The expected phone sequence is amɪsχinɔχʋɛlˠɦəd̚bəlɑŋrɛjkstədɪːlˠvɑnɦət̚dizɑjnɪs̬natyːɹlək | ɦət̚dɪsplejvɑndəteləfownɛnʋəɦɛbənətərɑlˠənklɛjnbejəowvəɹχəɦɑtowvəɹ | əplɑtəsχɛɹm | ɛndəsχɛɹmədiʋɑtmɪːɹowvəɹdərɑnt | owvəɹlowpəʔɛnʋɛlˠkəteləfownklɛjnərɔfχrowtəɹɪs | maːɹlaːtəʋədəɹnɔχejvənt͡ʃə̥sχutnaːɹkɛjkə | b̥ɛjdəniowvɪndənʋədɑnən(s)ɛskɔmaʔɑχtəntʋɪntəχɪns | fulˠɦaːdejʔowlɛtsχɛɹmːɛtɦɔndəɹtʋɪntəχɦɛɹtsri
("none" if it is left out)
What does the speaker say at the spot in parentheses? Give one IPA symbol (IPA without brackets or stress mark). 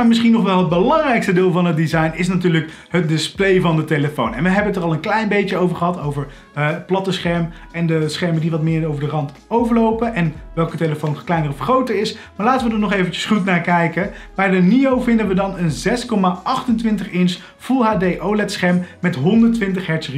z